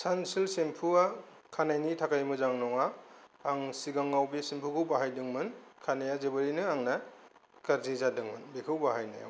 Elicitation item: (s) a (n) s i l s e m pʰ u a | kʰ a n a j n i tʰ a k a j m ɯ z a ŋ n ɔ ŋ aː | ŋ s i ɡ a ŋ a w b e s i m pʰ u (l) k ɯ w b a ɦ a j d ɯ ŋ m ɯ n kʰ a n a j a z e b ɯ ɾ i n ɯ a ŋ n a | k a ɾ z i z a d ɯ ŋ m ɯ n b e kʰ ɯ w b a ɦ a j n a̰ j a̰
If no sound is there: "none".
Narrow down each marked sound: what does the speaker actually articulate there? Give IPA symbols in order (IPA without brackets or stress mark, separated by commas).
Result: s, n, none